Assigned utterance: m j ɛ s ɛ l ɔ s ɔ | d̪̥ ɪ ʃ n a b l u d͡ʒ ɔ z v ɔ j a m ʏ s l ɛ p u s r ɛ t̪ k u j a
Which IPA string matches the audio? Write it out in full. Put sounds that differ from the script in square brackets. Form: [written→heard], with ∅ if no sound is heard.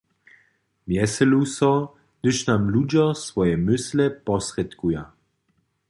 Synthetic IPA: m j ɛ s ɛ l [ɔ→u] s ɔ | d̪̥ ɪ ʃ n a [b→m] l u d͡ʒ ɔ [z→s] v ɔ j [a→ɛ] m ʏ s l ɛ p [u→ɔ] s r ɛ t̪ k u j a